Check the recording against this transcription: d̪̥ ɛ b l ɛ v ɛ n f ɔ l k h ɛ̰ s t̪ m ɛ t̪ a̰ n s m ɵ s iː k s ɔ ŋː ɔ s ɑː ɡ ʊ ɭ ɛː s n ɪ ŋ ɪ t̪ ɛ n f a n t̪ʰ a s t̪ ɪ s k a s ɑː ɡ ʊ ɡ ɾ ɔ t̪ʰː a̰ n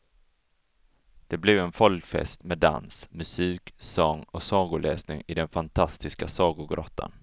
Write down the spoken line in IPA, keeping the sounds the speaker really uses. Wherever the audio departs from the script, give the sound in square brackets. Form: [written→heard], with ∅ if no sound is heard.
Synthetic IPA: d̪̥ ɛ b l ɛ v ɛ n f ɔ l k [h→f] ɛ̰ s t̪ m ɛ [t̪→d̪] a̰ n s m ɵ s iː k s ɔ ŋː ɔ s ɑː ɡ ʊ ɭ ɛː s n ɪ ŋ ɪ [t̪→d̪] ɛ n f a n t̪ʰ a s t̪ ɪ s k a s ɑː ɡ ʊ ɡ ɾ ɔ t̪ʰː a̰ n